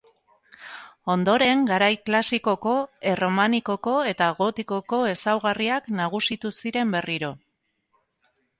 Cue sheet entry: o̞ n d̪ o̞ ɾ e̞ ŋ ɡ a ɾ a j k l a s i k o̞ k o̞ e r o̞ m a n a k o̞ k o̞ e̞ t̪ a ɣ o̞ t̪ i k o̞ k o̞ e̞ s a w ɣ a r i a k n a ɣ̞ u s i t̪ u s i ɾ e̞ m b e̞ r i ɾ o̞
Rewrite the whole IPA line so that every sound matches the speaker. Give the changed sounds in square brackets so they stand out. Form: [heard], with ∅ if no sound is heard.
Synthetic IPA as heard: o̞ n d̪ o̞ ɾ e̞ ŋ ɡ a ɾ a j k l a s i k o̞ k o̞ e r o̞ m a n [i] k o̞ k o̞ e̞ t̪ a ɣ o̞ t̪ i k o̞ k o̞ e̞ s a w ɣ a r i a k n a ɣ̞ u s i t̪ u s i ɾ e̞ m b e̞ r i ɾ o̞

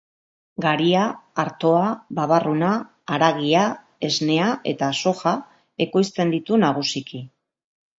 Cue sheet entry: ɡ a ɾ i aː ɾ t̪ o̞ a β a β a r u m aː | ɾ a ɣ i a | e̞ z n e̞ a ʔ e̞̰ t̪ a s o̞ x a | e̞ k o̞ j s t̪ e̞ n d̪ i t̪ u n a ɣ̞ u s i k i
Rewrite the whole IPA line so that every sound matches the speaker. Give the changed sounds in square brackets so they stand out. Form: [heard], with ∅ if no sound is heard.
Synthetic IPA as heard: ɡ a ɾ i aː ɾ t̪ o̞ a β a β a r u [n] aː | ɾ a ɣ i a | e̞ z n e̞ a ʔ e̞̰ t̪ a s o̞ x a | e̞ k o̞ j s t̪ e̞ n d̪ i t̪ u n a ɣ̞ u s i k i

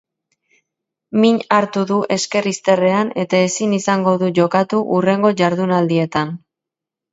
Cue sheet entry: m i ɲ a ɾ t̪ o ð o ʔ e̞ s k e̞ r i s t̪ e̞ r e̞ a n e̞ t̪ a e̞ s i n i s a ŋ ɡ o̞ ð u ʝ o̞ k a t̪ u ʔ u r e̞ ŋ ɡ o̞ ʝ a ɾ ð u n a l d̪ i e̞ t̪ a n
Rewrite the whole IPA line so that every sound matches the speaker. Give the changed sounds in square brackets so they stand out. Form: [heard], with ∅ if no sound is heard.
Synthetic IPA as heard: m i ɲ a ɾ t̪ [u] ð [u] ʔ e̞ s k e̞ r i s t̪ e̞ r e̞ a n e̞ t̪ a e̞ s i n i s a ŋ ɡ o̞ ð u ʝ o̞ k a t̪ u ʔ u r e̞ ŋ ɡ o̞ ʝ a ɾ ð u n a l d̪ i e̞ t̪ a n

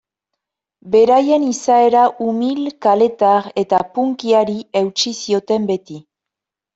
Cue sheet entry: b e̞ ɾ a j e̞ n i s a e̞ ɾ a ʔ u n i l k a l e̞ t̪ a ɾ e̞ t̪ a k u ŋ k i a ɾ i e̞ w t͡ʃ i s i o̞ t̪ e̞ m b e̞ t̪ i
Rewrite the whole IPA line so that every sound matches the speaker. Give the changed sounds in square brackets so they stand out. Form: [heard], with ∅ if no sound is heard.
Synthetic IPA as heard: b e̞ ɾ a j e̞ n i s a e̞ ɾ a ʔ u [m] i l k a l e̞ t̪ a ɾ e̞ t̪ a [p] u ŋ k i a ɾ i e̞ w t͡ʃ i s i o̞ t̪ e̞ m b e̞ t̪ i

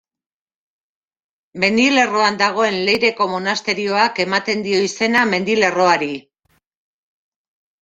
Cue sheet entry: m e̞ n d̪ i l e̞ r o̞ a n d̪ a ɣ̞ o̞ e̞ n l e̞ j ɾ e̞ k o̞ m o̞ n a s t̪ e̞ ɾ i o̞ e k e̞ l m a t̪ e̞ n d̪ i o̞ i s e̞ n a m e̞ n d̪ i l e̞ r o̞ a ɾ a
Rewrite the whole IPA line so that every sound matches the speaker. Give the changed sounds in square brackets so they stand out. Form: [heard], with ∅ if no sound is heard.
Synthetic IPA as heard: m e̞ n d̪ i l e̞ r o̞ a n d̪ a ɣ̞ o̞ e̞ n l e̞ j ɾ e̞ k o̞ m o̞ n a s t̪ e̞ ɾ i o̞ [a] k e̞ [∅] m a t̪ e̞ n d̪ i o̞ i s e̞ n a m e̞ n d̪ i l e̞ r o̞ a ɾ [i]

